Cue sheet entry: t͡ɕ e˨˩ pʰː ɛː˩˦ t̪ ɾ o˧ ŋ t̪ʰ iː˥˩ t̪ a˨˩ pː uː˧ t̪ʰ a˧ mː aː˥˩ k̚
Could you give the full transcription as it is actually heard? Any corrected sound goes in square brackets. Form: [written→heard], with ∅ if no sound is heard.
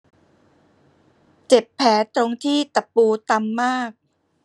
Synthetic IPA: t͡ɕ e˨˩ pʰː ɛː˩˦ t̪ ɾ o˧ ŋ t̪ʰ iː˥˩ t̪ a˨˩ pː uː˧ [t̪ʰ→t̪] a˧ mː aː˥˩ k̚

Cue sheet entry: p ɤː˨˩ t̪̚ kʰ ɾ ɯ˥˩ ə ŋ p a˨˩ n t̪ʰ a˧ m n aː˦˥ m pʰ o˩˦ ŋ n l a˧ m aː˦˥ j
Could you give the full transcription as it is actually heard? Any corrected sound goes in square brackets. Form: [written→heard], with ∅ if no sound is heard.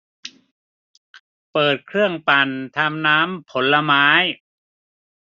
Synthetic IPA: p ɤː˨˩ t̪̚ kʰ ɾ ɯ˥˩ ə ŋ p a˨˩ n t̪ʰ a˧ m n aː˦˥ m pʰ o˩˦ [ŋ→∅] n l a˧ m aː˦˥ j

